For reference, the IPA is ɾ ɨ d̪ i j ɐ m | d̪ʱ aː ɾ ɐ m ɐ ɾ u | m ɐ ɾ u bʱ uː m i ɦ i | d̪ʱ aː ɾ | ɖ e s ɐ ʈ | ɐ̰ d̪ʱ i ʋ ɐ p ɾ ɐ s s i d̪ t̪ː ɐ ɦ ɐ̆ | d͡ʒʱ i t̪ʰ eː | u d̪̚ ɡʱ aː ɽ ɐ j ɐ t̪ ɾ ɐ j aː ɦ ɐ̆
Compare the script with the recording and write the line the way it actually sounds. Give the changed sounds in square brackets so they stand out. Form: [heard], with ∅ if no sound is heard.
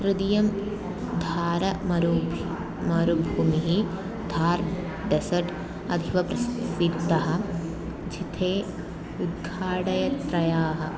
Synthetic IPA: ɾ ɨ d̪ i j ɐ m | d̪ʱ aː ɾ ɐ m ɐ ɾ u | m ɐ ɾ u bʱ uː m i ɦ i | d̪ʱ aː ɾ | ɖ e s ɐ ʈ | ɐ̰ d̪ʱ i ʋ ɐ p ɾ ɐ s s i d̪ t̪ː ɐ ɦ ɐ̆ | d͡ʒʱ i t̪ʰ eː | u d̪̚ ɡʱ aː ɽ ɐ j ɐ t̪ ɾ ɐ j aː ɦ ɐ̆